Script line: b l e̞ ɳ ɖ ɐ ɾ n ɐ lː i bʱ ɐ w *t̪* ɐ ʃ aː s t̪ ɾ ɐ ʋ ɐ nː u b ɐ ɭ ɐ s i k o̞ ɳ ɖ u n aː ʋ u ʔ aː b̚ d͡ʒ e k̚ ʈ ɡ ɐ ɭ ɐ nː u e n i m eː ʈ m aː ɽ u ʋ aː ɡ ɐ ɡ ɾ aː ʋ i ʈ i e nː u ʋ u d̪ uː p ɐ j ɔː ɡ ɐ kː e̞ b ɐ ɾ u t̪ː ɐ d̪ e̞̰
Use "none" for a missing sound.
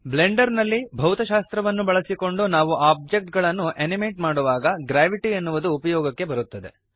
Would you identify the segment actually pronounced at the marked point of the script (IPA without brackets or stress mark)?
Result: t̪